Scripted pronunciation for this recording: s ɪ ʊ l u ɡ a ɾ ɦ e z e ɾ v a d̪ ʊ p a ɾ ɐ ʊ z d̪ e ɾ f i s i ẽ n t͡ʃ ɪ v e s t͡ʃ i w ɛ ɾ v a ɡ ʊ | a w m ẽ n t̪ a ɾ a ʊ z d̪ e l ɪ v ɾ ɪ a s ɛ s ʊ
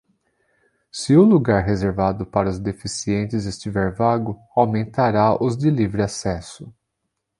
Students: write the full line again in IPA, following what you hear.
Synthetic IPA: s ɪ ʊ l u ɡ a ɾ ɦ e z e ɾ v a d̪ ʊ p a ɾ ɐ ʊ z d̪ e f i s i ẽ n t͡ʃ ɪ z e s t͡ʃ i v ɛ ɾ v a ɡ ʊ | a w m ẽ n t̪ a ɾ a ʊ z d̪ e l i v ɾ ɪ a s ɛ s ʊ